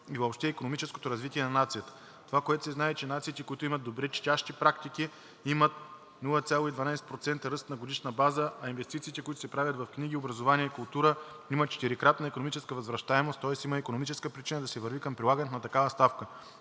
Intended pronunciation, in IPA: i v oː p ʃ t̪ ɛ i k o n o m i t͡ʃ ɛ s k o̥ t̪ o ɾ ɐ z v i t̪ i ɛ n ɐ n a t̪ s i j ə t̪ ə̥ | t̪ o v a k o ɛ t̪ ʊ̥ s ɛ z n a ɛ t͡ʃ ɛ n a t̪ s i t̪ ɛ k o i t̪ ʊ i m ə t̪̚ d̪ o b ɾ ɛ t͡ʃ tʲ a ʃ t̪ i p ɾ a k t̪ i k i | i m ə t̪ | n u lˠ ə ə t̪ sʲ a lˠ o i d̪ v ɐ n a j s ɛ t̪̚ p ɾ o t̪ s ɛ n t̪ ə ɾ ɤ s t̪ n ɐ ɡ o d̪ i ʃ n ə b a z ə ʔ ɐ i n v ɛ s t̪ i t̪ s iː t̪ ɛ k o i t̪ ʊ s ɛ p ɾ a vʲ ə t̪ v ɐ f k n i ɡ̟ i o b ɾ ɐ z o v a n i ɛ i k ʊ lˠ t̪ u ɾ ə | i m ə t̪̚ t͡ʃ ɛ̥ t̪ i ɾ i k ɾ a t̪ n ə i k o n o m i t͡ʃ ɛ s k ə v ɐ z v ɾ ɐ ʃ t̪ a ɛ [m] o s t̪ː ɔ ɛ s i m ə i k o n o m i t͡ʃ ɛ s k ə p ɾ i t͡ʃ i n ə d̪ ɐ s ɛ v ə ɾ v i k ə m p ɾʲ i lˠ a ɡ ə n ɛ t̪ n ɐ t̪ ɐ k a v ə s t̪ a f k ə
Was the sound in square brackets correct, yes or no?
yes